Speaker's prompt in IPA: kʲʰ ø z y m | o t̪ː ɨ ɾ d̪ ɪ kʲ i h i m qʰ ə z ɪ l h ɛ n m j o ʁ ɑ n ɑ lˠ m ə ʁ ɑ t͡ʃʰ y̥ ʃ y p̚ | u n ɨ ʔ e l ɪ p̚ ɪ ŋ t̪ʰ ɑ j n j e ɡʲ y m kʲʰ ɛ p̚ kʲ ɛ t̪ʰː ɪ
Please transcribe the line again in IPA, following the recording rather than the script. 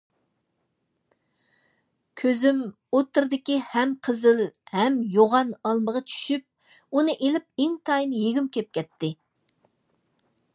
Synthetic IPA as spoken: kʲʰ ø z y m | o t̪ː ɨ ɾ d̪ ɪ kʲ i h ɛ m qʰ ə z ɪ l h ɛ m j o ʁ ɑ n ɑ lˠ m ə ʁ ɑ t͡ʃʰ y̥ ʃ y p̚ | u n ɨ ʔ e l ɪ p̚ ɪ ŋ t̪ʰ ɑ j n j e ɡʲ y m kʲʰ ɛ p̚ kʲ ɛ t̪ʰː ɪ